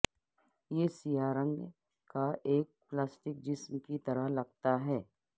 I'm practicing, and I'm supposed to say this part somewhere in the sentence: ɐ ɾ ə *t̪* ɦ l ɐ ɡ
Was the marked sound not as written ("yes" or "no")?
yes